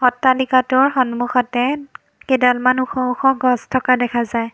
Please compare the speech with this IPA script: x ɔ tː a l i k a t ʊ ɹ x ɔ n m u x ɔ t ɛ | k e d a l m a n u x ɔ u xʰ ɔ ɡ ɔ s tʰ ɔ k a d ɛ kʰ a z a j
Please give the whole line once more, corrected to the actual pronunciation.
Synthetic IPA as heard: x ɔ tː a l i k a t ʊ ɹ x ɔ n m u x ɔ t ɛ | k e d a l m a n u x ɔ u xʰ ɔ ɡ ɔ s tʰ ɔ k a d ɛ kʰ a z a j

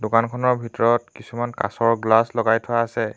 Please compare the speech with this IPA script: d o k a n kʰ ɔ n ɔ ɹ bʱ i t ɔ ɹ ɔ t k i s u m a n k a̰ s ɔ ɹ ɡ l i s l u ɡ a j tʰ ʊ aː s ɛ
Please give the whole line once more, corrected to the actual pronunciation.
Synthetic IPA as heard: d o k a n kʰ ɔ n ɔ ɹ bʱ i t ɔ ɹ ɔ t k i s u m a n k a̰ s ɔ ɹ ɡ l a s l ɔ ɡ a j tʰ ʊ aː s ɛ

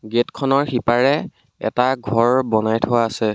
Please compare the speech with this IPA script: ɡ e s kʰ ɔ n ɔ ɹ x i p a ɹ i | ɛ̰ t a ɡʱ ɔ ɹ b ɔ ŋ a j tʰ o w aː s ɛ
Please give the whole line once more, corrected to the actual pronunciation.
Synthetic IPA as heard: ɡ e t kʰ ɔ n ɔ ɹ x i p a ɹ ɛ | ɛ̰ t a ɡʱ ɔ ɹ b ɔ n a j tʰ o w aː s ɛ

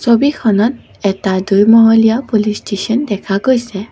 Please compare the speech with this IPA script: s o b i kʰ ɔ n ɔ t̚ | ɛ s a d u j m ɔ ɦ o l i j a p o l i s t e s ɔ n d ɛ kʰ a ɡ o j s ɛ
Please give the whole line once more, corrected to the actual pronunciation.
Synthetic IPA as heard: s o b i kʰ ɔ n ɔ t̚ | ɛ t a d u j m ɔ ɦ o l i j a p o l i s t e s ɔ n d ɛ kʰ a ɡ o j s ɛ

